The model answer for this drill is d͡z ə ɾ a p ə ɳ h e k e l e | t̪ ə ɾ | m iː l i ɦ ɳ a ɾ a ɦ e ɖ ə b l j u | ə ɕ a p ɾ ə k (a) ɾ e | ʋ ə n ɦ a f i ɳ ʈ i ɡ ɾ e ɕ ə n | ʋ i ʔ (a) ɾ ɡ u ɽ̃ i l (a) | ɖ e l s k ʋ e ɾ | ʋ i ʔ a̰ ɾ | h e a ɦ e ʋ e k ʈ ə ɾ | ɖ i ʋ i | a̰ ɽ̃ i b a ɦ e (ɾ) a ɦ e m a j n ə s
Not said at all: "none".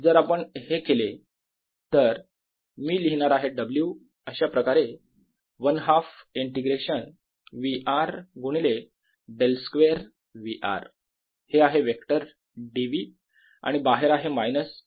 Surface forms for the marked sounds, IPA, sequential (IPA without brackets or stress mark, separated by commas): a, a, e, ɾ